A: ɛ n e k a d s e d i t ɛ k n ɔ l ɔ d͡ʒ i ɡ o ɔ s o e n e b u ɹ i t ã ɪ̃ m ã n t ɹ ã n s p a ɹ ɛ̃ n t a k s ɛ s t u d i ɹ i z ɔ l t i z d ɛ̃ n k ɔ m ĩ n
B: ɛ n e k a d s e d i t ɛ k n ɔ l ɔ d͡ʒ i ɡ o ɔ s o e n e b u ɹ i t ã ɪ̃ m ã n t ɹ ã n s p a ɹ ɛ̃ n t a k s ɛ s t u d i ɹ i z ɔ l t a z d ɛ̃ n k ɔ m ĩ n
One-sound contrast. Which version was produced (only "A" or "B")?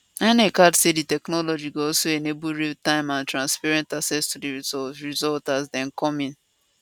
B